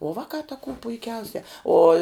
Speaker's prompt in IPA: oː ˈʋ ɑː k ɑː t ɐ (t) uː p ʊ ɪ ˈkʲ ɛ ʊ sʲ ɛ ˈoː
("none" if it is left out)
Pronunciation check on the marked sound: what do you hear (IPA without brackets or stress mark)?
k